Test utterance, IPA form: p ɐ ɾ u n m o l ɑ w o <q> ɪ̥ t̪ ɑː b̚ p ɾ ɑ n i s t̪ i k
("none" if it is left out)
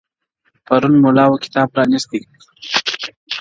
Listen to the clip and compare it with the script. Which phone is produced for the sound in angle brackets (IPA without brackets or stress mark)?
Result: k